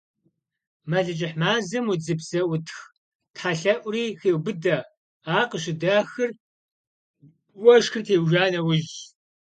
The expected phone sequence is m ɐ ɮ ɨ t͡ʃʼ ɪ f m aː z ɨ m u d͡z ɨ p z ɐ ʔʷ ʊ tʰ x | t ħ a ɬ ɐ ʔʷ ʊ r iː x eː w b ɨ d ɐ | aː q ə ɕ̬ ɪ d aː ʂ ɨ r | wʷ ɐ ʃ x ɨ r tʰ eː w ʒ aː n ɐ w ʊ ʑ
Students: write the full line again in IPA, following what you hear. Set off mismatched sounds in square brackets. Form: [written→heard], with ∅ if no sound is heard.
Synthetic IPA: m ɐ ɮ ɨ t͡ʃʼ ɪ [f→ħ] m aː z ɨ m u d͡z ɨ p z ɐ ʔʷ ʊ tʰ x | t ħ a ɬ ɐ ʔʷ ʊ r iː x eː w b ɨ d ɐ | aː q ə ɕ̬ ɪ d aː [ʂ→x] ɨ r | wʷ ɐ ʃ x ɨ r tʰ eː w ʒ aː n ɐ w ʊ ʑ